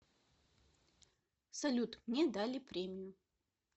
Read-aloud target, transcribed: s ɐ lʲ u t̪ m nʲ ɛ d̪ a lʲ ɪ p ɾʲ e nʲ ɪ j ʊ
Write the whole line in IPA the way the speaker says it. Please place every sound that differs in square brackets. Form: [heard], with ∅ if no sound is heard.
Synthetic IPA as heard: s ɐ lʲ u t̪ m nʲ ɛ d̪ a lʲ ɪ p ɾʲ e [mʲ] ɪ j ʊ